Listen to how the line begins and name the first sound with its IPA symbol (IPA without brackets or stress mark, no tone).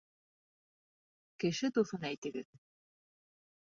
k